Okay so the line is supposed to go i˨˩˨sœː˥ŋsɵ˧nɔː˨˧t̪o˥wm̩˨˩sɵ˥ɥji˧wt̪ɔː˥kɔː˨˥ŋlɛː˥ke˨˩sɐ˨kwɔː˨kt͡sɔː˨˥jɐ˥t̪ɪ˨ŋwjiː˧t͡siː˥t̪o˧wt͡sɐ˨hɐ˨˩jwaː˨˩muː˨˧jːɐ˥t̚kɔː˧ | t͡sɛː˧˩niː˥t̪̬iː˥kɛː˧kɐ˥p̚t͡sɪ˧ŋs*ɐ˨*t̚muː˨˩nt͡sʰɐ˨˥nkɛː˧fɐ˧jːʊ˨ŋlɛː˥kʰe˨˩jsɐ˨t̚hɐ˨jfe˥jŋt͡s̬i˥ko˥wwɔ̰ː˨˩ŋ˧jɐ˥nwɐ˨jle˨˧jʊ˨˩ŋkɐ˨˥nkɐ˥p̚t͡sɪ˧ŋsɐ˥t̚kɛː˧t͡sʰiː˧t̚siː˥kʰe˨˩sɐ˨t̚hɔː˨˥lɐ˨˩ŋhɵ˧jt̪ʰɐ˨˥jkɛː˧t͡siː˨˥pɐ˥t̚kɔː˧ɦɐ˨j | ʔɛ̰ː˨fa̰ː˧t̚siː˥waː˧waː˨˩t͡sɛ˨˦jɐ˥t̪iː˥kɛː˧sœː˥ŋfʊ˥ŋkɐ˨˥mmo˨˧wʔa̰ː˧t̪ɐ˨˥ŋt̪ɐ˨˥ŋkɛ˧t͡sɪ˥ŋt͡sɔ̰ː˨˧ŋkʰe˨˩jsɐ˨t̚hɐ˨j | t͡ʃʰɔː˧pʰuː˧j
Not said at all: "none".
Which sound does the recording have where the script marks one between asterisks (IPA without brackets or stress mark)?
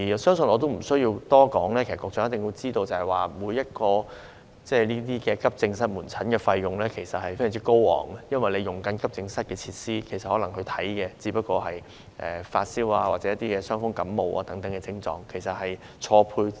ɐ˥